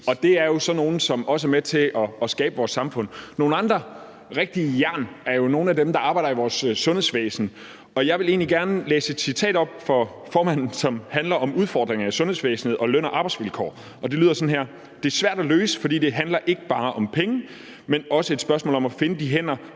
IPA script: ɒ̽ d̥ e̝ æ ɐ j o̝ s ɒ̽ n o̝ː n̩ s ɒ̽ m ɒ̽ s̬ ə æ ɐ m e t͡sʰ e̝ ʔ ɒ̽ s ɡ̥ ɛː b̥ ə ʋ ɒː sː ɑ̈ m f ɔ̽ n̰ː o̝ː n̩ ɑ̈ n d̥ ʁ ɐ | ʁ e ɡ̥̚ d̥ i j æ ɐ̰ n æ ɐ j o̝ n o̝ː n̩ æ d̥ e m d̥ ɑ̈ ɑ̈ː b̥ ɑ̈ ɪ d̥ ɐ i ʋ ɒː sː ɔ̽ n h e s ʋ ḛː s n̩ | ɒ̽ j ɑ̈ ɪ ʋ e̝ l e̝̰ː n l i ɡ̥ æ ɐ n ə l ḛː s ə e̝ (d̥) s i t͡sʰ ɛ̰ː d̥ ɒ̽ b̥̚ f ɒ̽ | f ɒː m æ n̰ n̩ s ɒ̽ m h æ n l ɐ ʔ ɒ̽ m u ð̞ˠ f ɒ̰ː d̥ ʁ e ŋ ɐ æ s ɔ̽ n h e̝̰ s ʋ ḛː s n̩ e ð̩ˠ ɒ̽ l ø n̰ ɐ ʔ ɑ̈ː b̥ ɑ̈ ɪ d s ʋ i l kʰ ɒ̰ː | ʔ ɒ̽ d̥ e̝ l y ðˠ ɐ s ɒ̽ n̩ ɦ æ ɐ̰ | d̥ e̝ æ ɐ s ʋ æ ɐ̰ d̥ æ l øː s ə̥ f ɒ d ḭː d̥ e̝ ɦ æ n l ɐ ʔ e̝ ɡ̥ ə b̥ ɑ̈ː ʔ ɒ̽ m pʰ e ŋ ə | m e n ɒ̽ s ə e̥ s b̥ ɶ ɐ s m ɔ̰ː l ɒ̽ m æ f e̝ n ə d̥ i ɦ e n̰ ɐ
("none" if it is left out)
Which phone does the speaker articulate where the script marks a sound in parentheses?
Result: d̥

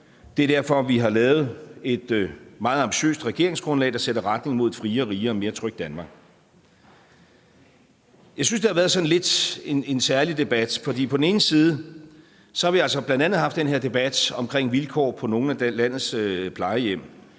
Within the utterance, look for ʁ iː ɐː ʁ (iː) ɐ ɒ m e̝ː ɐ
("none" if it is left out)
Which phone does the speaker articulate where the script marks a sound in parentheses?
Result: iː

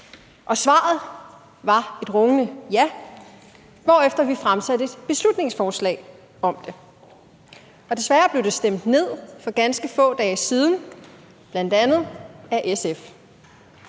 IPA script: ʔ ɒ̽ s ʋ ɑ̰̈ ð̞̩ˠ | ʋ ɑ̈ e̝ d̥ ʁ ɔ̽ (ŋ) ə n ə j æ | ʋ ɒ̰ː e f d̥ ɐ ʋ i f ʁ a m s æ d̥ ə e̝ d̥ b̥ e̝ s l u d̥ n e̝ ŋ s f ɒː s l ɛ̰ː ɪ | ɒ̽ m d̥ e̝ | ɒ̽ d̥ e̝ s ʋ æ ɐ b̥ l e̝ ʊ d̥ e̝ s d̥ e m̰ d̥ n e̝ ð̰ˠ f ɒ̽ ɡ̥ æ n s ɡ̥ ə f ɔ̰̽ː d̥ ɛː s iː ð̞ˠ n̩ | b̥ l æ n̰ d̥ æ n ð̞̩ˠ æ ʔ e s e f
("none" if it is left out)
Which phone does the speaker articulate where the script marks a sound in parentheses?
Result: ŋ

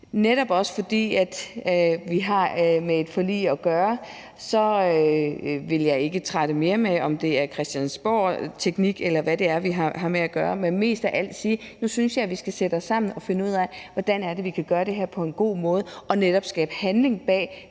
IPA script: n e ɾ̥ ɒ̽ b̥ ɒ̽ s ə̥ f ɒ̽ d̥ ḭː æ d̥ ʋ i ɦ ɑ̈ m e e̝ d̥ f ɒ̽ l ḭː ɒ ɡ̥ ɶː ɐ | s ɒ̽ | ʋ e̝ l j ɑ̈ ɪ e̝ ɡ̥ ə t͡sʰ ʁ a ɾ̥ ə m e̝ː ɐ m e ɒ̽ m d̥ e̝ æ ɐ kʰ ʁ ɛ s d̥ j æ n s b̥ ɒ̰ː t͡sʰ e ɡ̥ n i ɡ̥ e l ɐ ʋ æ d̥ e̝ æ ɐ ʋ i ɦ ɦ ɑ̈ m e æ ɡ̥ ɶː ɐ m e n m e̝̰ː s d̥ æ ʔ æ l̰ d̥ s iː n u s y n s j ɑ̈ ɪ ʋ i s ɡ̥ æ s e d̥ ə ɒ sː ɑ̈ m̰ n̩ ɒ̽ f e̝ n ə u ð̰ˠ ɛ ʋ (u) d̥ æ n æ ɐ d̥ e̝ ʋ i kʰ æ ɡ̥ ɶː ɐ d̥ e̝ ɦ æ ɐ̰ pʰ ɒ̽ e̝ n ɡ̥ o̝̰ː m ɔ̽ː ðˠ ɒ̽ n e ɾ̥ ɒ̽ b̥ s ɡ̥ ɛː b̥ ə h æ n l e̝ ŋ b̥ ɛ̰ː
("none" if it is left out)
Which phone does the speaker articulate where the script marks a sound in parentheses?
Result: ɒ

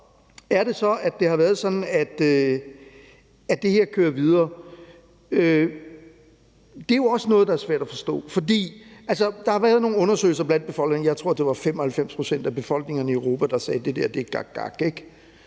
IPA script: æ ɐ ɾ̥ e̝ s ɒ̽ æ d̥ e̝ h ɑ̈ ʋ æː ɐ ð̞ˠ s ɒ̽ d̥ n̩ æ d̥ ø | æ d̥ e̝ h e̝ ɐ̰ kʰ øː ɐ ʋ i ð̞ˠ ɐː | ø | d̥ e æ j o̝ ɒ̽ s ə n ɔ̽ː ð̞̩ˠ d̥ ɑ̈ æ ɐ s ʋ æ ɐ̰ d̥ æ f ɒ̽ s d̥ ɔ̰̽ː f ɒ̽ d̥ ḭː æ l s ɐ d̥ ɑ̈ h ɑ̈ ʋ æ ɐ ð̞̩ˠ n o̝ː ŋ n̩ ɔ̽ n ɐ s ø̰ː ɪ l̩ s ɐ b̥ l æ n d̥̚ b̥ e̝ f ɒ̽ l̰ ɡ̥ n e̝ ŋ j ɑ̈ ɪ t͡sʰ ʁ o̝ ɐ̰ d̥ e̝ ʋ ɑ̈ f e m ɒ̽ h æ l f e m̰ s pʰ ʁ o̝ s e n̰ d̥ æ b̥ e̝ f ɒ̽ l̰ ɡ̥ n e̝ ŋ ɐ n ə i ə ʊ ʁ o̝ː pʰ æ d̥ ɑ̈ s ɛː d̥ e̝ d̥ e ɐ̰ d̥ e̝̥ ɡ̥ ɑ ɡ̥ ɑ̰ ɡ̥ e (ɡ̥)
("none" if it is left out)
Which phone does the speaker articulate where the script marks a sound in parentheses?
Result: ɡ̥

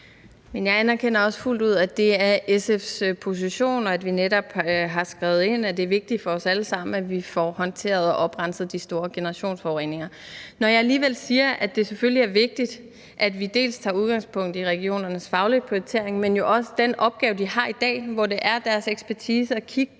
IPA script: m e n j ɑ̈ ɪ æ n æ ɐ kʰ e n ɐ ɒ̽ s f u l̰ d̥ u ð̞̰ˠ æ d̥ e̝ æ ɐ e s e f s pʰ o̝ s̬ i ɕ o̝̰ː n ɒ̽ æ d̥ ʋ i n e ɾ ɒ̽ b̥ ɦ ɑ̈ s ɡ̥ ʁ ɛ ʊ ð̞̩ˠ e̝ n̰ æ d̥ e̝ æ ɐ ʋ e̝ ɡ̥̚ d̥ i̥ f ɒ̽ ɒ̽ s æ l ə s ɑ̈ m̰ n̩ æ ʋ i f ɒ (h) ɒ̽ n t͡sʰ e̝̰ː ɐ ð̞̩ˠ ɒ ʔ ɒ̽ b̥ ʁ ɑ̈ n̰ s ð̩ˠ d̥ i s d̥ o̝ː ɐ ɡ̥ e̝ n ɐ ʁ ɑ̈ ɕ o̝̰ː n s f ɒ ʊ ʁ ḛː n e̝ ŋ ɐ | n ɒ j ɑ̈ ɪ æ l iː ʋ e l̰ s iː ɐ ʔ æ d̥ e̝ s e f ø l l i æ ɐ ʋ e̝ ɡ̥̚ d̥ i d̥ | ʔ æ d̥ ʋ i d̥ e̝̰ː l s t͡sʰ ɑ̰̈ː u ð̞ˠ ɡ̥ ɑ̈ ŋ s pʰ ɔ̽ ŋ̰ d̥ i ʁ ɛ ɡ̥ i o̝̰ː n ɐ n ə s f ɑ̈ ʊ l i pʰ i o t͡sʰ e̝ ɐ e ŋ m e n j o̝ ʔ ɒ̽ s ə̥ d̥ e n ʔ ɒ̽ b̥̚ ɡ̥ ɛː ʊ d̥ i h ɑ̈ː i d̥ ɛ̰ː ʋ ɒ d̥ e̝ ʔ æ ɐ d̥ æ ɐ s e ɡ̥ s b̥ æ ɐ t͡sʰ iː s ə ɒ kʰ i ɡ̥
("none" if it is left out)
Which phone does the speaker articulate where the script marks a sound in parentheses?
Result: h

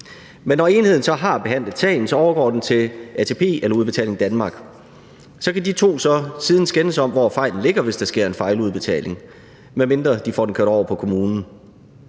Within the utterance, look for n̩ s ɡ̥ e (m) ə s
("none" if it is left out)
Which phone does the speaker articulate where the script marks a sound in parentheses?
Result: n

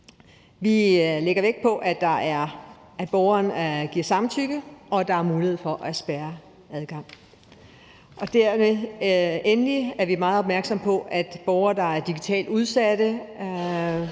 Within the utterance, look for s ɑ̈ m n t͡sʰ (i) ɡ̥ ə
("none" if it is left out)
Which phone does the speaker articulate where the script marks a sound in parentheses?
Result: y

